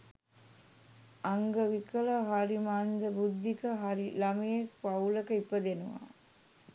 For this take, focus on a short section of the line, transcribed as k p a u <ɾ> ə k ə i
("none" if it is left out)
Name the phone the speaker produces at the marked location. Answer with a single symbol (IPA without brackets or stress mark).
l